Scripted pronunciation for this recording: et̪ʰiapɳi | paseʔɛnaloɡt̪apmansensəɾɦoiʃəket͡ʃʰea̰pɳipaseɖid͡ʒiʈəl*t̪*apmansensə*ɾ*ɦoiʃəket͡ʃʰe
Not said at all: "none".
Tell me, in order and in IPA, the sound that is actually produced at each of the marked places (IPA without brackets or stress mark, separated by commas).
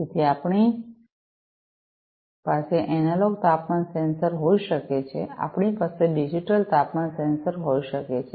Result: t̪, ɾ